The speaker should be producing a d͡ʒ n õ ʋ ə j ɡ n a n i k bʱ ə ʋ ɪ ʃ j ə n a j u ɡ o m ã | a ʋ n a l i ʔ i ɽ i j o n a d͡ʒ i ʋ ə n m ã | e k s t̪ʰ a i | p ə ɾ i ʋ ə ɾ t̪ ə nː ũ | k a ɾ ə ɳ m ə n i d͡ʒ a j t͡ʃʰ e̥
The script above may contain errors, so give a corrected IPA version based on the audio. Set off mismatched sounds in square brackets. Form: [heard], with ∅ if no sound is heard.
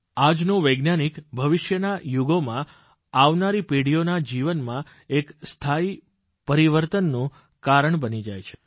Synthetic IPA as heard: a d͡ʒ n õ ʋ ə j ɡ n a n i k bʱ ə ʋ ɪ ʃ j ə n a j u ɡ o m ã | a ʋ n a [ɾ] i [p] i ɽ i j o n a d͡ʒ i ʋ ə n m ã | e k s t̪ʰ a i | p ə ɾ i ʋ ə ɾ t̪ ə nː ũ | k a ɾ ə ɳ [b] ə n i d͡ʒ a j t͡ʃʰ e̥

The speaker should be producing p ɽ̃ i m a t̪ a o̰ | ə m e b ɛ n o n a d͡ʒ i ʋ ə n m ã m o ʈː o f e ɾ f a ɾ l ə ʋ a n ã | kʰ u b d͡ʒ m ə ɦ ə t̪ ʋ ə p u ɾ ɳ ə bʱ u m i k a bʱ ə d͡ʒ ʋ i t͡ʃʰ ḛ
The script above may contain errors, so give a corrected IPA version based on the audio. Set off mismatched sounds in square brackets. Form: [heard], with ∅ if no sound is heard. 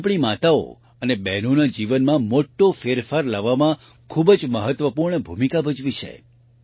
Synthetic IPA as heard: p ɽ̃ i m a t̪ a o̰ | ə [n] e b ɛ n o n a d͡ʒ i ʋ ə n m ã m o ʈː o f e ɾ f a ɾ l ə ʋ a [m] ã | kʰ u b d͡ʒ m ə ɦ ə t̪ ʋ ə p u ɾ ɳ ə bʱ u m i k a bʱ ə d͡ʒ ʋ i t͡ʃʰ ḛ

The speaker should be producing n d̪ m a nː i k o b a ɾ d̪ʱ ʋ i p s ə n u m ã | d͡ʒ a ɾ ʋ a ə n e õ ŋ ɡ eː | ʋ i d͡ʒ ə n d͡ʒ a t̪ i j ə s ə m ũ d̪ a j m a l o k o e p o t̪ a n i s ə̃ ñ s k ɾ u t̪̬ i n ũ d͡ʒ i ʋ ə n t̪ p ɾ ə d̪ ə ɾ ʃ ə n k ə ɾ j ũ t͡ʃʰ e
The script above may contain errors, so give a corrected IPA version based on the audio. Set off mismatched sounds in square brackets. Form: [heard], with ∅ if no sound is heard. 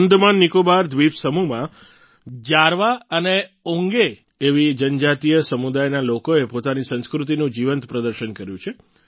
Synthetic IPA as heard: n d̪ m a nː i k o b a ɾ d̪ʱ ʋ i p s ə [m] u m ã | d͡ʒ a ɾ ʋ a ə n e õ ŋ ɡ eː | ʋ i d͡ʒ ə n d͡ʒ a t̪ i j ə s ə m [u] d̪ a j [n] a l o k o e p o t̪ a n i s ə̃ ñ s k ɾ u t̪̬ i n ũ d͡ʒ i ʋ ə n t̪ p ɾ ə d̪ ə ɾ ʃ ə n k ə ɾ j ũ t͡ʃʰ e

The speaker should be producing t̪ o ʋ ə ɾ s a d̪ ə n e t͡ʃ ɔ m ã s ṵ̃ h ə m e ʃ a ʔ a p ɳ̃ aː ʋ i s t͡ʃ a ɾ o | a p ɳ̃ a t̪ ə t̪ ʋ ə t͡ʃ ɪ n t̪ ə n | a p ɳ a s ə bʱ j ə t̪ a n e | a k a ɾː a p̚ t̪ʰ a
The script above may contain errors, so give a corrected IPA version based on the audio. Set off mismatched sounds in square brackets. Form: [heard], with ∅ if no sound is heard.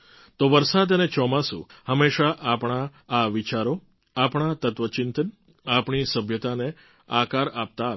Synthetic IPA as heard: t̪ o ʋ ə ɾ s a d̪ ə n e t͡ʃ ɔ m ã s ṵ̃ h ə m e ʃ a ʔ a p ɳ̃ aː ʋ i [∅] t͡ʃ a ɾ o | a p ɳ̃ a t̪ ə t̪ ʋ ə t͡ʃ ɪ n t̪ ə n | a p ɳ [i] s ə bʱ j ə t̪ a n e | a k a [ɾ] a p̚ [t̪] a

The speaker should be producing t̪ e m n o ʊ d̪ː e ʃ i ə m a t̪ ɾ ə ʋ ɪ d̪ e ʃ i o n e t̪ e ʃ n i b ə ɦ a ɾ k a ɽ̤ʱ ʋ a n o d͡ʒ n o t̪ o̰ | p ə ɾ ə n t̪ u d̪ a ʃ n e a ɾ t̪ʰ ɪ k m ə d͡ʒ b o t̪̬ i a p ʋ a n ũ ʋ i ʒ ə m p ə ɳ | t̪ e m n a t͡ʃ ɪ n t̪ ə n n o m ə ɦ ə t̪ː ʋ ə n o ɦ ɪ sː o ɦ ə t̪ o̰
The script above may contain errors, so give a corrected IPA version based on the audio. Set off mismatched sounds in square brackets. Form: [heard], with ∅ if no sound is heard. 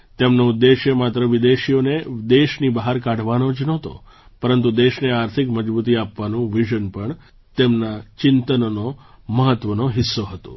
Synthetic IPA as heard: t̪ e m n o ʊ d̪ː e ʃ [j] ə m a t̪ ɾ ə ʋ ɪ d̪ e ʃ i o n e [d̪] e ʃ n i b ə ɦ a ɾ k a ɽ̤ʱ ʋ a n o d͡ʒ n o t̪ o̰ | p ə ɾ ə n t̪ u d̪ [e] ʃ n e a ɾ t̪ʰ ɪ k m ə d͡ʒ b [u] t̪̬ i a p ʋ a n ũ ʋ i ʒ ə [n] p ə ɳ | t̪ e m n a t͡ʃ ɪ n t̪ ə n n o m ə ɦ ə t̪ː ʋ ə n o ɦ ɪ sː o ɦ ə t̪ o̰

